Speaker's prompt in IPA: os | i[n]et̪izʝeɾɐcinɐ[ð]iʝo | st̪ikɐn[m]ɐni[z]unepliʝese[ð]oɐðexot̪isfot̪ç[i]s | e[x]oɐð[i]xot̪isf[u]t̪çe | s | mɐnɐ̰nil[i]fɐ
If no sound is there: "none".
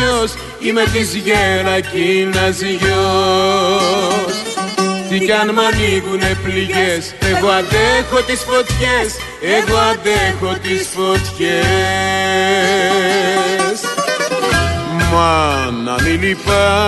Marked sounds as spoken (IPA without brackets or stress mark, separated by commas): m, z, m, ɣ, ɣ, e, ɣ, e, o, i